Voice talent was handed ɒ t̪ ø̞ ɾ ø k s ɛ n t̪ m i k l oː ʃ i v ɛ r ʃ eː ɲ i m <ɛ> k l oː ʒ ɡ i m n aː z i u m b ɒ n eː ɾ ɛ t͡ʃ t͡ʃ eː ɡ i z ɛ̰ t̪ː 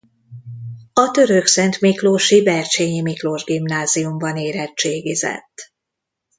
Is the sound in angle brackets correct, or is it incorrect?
incorrect